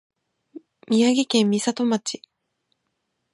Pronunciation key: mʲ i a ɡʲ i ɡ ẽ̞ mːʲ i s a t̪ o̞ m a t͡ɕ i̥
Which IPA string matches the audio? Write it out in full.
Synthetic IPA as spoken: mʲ i a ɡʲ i k ẽ̞ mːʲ i s a t̪ o̞ m a t͡ɕ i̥